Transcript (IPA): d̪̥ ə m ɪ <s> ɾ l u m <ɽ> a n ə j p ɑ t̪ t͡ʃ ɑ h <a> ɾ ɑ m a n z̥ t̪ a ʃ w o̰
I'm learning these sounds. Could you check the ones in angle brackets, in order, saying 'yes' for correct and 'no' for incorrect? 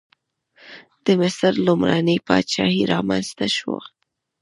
yes, no, no

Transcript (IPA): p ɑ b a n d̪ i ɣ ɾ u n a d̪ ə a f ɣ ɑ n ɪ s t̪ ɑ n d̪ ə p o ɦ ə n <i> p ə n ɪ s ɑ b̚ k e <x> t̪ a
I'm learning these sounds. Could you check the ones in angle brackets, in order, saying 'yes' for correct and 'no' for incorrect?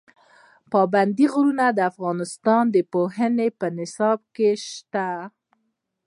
no, no

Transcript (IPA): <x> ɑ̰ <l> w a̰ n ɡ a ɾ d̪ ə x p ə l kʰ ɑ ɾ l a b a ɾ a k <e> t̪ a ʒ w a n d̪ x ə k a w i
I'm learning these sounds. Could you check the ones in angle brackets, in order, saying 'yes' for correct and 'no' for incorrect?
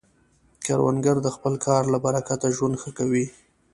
no, no, no

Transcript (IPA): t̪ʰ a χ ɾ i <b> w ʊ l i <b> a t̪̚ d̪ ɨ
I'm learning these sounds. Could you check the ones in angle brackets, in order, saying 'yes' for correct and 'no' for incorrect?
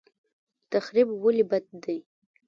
yes, yes

